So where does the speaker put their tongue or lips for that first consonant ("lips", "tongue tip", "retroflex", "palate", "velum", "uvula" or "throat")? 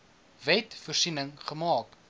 lips